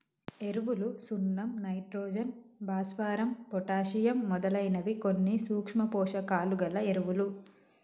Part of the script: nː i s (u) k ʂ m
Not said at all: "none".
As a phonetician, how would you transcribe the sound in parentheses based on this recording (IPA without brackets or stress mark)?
uː